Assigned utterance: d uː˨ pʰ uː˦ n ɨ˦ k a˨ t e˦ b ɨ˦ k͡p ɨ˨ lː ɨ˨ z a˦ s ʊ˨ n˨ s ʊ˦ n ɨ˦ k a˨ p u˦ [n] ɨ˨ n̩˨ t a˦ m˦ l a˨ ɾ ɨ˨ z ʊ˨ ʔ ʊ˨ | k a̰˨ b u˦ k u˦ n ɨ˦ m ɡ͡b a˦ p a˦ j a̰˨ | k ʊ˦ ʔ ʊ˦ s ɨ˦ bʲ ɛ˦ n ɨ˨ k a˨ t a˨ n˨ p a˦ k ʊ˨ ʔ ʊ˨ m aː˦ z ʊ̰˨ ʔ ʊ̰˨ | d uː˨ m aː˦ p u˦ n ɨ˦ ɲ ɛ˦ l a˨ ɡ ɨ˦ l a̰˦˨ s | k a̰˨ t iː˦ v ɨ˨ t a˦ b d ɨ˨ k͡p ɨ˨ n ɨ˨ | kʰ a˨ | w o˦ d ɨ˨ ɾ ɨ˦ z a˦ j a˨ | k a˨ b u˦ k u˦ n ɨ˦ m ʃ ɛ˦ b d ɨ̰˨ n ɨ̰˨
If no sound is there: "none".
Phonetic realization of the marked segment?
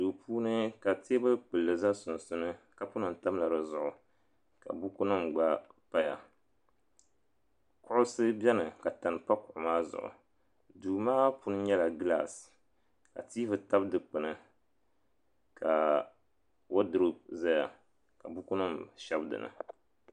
n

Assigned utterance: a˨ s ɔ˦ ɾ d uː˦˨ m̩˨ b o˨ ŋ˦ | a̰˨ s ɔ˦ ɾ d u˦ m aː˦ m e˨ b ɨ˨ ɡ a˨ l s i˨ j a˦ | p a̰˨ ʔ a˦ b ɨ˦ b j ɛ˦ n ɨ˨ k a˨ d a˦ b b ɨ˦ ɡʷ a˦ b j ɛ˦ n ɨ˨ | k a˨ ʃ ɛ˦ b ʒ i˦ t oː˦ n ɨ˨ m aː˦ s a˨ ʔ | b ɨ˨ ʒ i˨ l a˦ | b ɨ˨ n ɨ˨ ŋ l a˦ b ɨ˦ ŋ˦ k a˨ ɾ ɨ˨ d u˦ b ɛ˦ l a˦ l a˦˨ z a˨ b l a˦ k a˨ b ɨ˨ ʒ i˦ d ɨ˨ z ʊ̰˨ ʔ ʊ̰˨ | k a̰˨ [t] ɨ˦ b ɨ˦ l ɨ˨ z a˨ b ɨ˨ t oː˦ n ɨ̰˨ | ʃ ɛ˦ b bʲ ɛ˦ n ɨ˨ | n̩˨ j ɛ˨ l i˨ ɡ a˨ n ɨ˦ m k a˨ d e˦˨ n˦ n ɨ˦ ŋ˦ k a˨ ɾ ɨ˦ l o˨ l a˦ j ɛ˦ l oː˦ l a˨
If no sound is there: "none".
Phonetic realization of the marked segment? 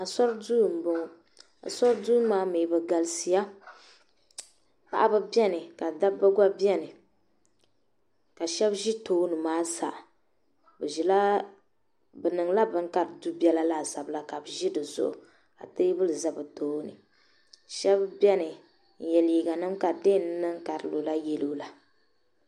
t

